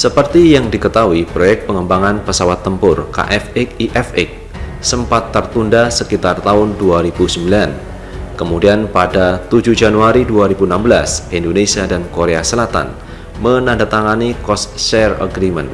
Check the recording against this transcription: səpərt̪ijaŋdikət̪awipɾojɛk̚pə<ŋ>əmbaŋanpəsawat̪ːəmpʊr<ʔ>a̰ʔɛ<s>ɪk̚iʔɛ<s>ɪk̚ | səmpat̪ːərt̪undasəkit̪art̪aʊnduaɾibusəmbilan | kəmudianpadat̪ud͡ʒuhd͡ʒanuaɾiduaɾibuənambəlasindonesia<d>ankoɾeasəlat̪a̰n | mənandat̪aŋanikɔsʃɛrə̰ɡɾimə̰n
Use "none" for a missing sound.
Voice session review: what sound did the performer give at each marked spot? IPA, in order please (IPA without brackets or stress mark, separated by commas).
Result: ŋ, k, f, f, d